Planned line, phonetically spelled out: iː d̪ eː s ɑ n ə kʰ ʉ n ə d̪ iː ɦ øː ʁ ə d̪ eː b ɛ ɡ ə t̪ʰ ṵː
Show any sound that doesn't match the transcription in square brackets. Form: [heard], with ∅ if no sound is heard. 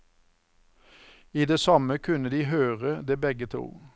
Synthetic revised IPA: iː d̪ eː s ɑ [m] ə kʰ ʉ n ə d̪ iː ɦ øː ʁ ə d̪ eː b ɛ ɡ ə t̪ʰ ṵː